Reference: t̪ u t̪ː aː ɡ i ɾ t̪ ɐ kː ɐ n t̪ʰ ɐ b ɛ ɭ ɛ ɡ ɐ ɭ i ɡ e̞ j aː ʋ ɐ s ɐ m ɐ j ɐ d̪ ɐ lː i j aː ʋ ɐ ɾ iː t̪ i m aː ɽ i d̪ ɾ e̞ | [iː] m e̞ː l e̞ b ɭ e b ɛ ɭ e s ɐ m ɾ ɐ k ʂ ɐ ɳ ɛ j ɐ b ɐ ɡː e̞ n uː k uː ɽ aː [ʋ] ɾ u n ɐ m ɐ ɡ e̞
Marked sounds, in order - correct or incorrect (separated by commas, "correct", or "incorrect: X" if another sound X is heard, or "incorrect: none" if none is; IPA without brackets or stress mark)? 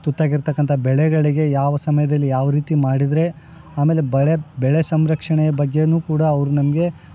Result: incorrect: aː, correct